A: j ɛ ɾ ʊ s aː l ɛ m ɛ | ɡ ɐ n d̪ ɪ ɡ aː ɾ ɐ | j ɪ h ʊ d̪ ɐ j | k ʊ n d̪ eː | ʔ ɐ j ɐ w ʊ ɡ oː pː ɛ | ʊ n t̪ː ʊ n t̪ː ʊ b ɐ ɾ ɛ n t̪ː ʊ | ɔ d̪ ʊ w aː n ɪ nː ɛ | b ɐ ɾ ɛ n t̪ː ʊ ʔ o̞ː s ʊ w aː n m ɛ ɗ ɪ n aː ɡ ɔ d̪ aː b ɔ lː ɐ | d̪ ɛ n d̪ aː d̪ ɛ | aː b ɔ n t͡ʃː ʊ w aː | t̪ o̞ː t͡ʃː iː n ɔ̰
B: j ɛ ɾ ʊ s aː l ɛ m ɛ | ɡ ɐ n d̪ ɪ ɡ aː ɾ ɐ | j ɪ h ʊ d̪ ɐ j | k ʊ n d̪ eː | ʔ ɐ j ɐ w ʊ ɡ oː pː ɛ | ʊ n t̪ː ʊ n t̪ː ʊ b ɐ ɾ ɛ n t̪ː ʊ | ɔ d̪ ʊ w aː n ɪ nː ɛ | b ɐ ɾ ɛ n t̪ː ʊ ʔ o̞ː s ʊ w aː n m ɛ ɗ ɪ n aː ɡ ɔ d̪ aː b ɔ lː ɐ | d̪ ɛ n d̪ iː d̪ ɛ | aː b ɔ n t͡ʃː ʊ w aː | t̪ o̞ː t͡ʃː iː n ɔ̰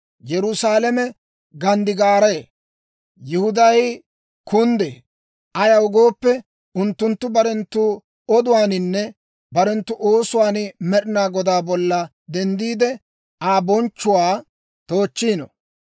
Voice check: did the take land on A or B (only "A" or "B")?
B